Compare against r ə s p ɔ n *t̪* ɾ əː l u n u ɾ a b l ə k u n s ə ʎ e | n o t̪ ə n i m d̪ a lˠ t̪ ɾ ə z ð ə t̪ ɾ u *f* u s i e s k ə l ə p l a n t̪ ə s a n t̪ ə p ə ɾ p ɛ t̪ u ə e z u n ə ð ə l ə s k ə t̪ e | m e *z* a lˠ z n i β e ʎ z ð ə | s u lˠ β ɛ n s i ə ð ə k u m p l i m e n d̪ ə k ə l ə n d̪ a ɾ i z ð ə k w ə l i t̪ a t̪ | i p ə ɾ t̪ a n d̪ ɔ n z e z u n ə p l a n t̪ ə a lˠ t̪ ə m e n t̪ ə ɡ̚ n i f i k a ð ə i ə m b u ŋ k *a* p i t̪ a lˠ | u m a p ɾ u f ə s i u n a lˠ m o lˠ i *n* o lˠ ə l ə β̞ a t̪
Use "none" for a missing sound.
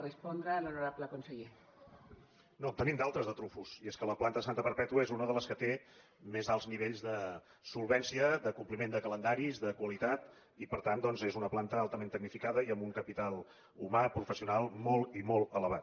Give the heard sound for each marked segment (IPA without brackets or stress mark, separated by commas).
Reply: d̪, f, z, ə, m